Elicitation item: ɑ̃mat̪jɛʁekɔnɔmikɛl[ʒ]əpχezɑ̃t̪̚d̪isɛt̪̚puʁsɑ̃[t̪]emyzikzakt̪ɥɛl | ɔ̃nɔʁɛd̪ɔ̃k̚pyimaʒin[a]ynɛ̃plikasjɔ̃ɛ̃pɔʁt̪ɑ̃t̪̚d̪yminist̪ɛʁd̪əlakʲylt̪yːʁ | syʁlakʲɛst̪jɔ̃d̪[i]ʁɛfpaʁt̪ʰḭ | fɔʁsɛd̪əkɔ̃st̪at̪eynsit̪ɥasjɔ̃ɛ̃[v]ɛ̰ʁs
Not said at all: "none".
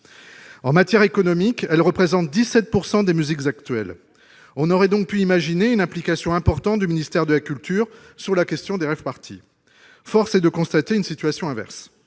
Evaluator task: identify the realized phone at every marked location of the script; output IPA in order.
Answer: ʁ, d̪, e, e, v

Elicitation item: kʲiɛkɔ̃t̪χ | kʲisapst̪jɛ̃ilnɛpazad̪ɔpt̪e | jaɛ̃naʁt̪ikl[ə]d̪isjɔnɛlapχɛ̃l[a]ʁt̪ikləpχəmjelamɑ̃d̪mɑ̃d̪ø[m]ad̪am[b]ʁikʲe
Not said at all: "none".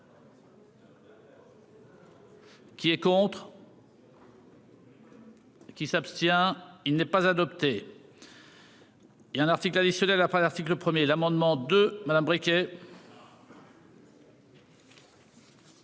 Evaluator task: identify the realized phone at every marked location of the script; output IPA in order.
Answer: a, a, m, b

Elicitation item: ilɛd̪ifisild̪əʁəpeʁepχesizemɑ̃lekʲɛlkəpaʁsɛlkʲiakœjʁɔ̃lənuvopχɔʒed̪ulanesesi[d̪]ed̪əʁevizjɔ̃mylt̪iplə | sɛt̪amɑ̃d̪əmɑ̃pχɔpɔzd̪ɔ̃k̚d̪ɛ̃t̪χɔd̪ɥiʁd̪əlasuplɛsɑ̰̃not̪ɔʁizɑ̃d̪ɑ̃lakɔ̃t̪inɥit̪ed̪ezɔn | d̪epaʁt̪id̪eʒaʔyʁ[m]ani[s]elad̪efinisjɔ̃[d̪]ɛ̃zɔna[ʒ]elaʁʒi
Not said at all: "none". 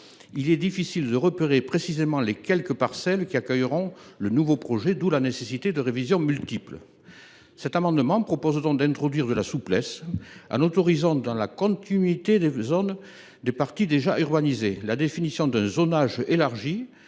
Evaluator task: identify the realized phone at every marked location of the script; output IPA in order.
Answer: t̪, b, z, d̪, ʒ

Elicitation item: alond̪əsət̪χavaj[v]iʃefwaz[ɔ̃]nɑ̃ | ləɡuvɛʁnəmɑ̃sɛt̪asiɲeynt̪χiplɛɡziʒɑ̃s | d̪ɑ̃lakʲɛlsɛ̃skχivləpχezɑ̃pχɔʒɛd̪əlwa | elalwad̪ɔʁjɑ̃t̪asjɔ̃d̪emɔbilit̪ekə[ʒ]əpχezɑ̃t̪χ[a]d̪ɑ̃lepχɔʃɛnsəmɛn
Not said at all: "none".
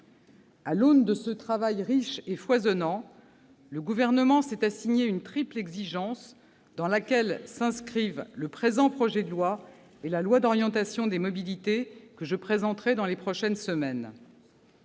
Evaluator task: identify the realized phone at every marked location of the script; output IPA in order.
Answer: ʁ, ɔ, ʒ, ɛ

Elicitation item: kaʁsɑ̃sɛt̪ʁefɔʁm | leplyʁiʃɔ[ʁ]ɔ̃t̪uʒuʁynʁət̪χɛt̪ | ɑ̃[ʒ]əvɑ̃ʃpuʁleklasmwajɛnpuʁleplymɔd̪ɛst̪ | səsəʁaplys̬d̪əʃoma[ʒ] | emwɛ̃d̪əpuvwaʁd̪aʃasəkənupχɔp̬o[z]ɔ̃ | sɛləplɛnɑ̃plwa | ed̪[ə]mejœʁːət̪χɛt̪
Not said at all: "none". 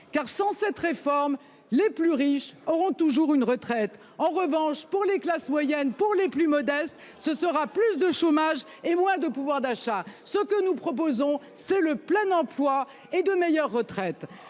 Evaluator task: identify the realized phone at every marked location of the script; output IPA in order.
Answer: ʁ, ʁ, ʒ, z, ə

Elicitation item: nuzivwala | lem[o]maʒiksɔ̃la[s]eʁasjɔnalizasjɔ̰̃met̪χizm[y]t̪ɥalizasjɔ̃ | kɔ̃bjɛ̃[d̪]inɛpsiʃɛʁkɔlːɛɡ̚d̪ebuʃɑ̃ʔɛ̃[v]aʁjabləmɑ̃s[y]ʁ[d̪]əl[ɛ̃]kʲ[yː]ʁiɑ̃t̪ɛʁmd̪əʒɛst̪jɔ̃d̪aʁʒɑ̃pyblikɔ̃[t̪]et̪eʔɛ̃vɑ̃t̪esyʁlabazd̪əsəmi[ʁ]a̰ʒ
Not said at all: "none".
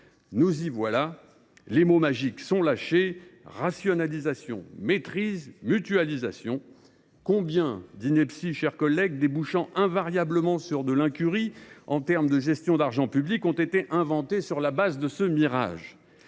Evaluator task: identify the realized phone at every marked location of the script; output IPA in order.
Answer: o, ʃ, y, d̪, v, y, d̪, ɛ̃, y, t̪, ʁ

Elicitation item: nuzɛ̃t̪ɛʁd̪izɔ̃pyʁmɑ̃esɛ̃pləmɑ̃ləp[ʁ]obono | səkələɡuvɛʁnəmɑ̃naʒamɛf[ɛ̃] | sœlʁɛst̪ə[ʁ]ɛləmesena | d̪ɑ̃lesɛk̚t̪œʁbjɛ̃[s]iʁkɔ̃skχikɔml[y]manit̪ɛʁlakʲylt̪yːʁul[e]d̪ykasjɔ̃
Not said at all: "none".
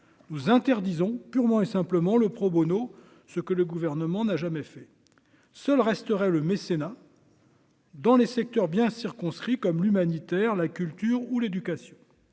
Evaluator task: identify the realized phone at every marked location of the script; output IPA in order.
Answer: χ, ɛ, ʁ, s, y, e

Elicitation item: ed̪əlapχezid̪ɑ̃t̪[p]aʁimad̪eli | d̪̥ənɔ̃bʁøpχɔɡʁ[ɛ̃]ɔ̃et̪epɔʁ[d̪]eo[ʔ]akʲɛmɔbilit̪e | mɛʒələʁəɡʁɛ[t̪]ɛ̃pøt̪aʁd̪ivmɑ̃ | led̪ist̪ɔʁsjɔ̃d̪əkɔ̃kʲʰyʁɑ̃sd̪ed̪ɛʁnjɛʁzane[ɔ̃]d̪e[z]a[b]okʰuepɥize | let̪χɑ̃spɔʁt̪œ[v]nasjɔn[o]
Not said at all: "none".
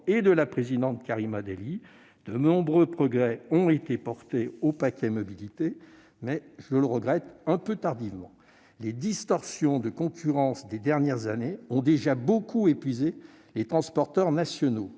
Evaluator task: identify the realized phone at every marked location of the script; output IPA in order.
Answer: k, ɛ, t̪, p, t̪, ɔ̃, ʒ, b, ʁ, o

